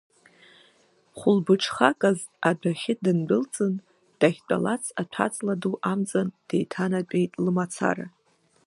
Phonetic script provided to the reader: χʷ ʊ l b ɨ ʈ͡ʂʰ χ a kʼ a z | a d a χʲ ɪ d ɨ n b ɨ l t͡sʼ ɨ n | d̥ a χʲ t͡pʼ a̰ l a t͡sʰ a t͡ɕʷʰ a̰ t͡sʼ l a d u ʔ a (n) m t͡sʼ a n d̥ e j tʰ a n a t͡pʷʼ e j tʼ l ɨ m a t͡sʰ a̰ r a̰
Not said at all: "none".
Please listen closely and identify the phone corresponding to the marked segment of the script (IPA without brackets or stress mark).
none